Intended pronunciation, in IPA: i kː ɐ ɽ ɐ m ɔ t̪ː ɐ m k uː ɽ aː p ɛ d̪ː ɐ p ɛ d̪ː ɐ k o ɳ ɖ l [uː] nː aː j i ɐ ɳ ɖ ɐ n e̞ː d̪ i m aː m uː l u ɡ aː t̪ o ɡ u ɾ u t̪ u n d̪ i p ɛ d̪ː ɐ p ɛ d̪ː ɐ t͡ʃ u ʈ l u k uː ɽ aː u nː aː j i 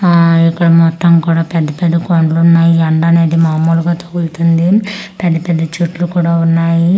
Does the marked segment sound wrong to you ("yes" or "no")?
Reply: yes